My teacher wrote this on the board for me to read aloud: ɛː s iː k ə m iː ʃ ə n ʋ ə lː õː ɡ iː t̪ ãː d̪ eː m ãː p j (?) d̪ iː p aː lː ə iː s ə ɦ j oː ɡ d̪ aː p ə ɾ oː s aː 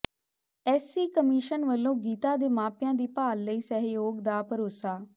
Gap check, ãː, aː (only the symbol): ãː